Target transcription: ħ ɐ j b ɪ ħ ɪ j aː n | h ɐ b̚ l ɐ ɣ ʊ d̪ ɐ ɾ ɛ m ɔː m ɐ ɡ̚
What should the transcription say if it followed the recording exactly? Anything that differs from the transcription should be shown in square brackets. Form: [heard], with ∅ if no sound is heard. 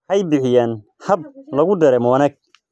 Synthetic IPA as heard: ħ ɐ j b ɪ ħ ɪ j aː n | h ɐ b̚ l ɐ ɣ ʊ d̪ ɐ ɾ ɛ m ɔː [n] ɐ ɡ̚